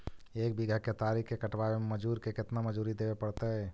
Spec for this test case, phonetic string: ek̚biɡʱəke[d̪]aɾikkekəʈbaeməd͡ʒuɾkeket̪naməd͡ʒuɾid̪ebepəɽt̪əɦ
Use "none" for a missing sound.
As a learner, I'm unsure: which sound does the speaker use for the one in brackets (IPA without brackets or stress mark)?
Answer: t̪